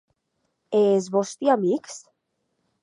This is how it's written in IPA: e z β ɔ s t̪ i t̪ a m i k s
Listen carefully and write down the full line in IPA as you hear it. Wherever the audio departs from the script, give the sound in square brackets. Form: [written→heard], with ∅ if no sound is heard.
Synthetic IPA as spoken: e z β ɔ s t̪ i [t̪→∅] a m i k s